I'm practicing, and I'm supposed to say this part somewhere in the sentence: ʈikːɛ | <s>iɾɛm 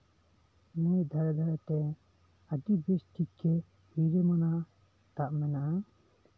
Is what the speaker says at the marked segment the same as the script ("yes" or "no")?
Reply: no